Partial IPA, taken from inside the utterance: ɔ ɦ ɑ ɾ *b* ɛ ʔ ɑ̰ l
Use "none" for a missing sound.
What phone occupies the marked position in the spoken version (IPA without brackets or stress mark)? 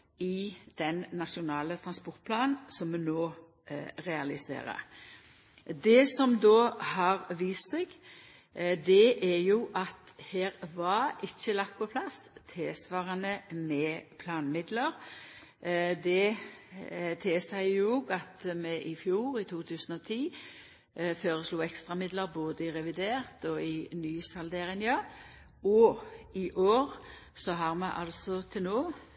m